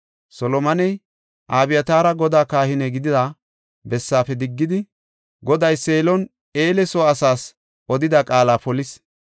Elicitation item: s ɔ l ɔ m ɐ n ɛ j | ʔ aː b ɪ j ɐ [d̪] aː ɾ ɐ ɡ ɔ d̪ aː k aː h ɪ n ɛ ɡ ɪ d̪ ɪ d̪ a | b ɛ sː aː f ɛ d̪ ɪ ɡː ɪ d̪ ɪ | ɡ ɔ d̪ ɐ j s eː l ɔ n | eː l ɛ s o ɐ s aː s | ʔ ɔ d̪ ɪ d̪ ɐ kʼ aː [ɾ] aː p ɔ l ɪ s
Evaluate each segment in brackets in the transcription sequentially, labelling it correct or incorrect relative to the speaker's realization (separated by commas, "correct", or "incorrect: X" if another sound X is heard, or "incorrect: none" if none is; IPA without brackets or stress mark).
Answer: incorrect: t̪, incorrect: l